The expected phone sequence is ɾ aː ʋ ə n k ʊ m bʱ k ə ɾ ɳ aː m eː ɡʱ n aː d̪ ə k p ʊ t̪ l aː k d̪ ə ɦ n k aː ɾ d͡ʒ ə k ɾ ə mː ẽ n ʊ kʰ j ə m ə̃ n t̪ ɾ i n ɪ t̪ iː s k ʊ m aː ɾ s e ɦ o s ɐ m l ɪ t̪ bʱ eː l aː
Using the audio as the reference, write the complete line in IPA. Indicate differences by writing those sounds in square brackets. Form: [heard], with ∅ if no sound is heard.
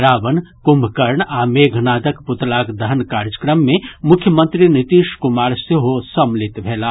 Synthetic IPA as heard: ɾ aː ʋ ə n k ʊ m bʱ k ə ɾ ɳ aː m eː ɡʱ n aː d̪ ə k p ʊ t̪ l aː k d̪ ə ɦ n k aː ɾ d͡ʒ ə k ɾ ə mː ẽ [m] ʊ kʰ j ə m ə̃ n t̪ ɾ i n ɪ t̪ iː [ʃ] k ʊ m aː ɾ s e ɦ o s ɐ m l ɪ t̪ bʱ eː l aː